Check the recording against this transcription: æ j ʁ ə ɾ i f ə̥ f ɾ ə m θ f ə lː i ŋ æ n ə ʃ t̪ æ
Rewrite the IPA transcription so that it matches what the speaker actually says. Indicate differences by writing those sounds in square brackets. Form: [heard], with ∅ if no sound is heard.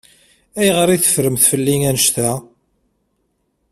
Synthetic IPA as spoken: æ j ʁ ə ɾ i [θ] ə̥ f ɾ ə m θ f ə lː i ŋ æ n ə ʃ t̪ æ

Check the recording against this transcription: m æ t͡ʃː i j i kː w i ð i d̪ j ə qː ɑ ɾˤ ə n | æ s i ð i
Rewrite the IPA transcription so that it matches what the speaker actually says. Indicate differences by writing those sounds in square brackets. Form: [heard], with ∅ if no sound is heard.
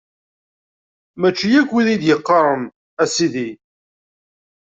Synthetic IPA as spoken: m æ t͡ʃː i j [æ] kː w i ð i d̪ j ə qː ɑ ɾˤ ə n | æ s i ð i

